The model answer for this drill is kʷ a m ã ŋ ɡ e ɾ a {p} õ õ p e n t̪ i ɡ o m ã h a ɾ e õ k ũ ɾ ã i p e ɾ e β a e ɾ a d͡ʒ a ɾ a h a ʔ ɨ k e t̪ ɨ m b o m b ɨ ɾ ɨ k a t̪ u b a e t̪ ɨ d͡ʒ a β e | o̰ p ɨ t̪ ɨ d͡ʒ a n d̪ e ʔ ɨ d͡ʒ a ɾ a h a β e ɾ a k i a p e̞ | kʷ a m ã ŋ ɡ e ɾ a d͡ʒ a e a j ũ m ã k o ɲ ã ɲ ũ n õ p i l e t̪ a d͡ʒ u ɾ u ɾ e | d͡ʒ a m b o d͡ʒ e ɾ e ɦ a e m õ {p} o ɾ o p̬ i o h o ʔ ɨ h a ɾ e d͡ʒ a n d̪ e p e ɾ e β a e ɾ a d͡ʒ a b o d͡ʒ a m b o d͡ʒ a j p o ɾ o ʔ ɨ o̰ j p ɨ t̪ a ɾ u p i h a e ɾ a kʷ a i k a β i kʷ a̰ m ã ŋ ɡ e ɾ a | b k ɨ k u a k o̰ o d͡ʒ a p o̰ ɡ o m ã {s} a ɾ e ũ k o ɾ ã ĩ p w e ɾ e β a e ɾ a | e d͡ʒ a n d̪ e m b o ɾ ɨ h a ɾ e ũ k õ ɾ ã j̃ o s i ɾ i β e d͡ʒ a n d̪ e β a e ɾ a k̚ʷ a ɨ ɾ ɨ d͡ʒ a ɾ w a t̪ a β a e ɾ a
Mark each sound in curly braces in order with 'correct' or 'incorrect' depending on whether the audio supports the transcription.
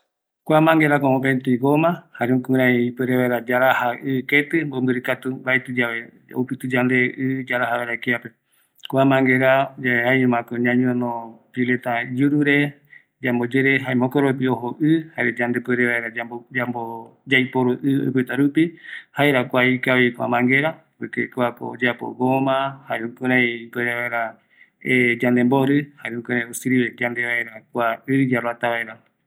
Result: incorrect, incorrect, incorrect

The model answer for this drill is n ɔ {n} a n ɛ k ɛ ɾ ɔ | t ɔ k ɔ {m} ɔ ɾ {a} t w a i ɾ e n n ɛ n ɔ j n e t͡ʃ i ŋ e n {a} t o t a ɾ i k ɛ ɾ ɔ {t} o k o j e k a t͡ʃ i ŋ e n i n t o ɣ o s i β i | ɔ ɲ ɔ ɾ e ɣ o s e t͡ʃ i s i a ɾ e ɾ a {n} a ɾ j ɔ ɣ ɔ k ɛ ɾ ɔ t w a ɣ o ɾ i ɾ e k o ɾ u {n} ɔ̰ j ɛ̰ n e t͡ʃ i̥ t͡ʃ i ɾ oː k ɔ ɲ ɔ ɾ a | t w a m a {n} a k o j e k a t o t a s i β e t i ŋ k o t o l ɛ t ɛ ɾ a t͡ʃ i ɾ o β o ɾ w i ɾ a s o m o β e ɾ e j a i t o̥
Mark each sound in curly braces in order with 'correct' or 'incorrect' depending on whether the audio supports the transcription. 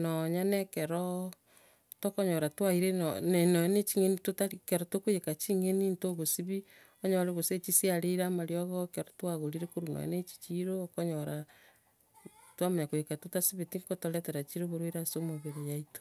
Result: incorrect, incorrect, correct, incorrect, correct, incorrect, correct, incorrect

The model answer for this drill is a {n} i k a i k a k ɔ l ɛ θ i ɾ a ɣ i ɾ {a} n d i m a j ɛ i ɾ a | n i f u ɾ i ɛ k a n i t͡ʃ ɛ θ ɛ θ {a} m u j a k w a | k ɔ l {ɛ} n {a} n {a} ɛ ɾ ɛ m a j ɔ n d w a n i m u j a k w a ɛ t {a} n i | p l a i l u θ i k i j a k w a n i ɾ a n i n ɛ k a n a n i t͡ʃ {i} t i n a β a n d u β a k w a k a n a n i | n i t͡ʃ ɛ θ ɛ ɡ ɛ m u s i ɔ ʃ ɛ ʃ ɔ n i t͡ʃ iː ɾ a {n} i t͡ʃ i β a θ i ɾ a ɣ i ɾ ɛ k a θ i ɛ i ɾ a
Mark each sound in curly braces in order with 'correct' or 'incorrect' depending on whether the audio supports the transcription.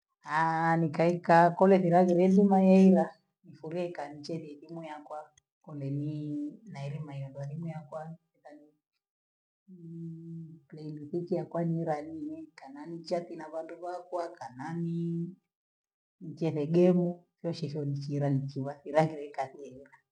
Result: correct, incorrect, incorrect, correct, incorrect, correct, correct, incorrect, correct

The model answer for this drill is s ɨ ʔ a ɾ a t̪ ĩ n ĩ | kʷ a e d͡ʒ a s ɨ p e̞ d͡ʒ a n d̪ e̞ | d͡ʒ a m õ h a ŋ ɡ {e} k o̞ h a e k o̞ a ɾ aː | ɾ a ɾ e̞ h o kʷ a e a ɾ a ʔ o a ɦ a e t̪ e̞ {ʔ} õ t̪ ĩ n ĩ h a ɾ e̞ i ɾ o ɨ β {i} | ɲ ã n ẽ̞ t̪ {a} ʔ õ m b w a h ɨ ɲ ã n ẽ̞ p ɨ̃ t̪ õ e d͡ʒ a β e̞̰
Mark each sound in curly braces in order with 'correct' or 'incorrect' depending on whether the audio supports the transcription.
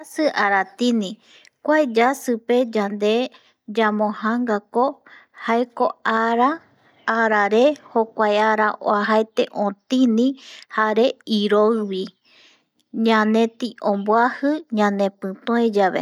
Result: incorrect, correct, correct, incorrect

